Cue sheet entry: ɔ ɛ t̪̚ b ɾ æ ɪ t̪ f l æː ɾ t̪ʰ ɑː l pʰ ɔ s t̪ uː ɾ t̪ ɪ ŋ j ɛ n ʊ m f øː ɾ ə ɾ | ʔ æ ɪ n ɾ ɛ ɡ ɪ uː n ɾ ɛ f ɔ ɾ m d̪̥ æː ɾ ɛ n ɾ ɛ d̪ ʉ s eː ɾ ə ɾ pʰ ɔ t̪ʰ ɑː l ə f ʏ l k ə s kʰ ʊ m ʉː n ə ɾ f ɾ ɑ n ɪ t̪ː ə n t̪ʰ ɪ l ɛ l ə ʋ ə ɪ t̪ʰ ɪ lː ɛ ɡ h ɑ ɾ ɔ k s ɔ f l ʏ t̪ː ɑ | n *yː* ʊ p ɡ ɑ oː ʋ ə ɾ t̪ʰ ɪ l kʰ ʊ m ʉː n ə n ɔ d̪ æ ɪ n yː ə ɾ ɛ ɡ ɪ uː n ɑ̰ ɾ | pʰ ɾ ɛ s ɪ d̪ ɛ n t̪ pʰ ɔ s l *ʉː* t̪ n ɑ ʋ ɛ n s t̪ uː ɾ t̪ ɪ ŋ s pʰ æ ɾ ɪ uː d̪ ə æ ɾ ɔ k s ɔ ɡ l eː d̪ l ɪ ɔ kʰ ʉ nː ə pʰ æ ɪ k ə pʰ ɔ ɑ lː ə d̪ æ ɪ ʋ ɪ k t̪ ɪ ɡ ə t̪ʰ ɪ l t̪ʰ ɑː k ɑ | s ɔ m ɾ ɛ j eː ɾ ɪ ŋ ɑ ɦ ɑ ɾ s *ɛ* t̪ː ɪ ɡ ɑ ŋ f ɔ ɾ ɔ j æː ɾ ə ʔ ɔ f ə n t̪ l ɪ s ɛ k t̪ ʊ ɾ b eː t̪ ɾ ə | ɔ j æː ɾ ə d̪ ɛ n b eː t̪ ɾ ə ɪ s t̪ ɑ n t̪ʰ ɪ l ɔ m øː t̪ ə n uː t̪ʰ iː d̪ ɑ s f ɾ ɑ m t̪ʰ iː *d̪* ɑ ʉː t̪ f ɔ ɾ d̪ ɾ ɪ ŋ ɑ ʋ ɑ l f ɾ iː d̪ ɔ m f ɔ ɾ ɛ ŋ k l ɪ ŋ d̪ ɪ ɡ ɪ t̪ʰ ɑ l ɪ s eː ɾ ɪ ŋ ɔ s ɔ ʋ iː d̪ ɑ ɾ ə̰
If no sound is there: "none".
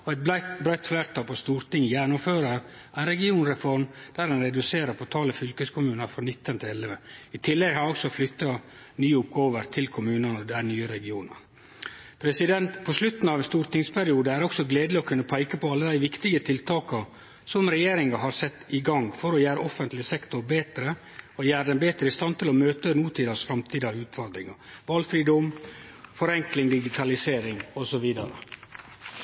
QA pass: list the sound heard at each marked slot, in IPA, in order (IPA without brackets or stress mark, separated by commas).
yː, ʉ, ɛ, d̪